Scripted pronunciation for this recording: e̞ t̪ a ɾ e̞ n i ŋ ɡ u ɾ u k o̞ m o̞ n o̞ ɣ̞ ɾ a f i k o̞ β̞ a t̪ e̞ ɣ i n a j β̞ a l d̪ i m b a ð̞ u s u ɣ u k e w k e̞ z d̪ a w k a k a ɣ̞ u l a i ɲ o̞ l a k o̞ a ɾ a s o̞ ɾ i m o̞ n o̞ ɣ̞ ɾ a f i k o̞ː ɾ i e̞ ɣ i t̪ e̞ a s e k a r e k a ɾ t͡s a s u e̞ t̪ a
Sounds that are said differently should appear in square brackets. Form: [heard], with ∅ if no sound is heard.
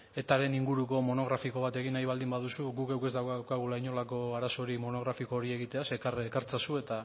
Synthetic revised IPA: e̞ t̪ a ɾ e̞ n i ŋ ɡ u ɾ u k o̞ m o̞ n o̞ ɣ̞ ɾ a f i k o̞ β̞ a t̪ e̞ ɣ i n a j β̞ a l d̪ i m b a ð̞ u s u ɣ u k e w k e̞ z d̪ a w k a k a ɣ̞ u l a i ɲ o̞ l a k o̞ a ɾ a s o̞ ɾ i m o̞ n o̞ ɣ̞ ɾ a f i k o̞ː ɾ i e̞ ɣ i t̪ e̞ a s e k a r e k a ɾ t͡s a s u e̞ t̪ a